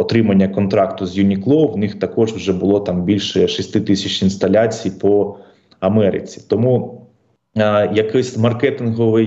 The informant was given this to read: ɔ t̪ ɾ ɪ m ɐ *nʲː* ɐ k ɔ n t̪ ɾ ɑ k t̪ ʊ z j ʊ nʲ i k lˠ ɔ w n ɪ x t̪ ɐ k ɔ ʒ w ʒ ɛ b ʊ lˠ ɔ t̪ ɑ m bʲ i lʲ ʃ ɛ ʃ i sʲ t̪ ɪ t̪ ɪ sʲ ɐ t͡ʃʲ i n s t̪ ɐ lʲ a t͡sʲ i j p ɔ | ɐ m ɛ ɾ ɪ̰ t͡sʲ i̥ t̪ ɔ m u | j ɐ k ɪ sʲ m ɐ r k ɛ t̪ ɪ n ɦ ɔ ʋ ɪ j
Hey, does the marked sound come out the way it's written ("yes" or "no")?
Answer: yes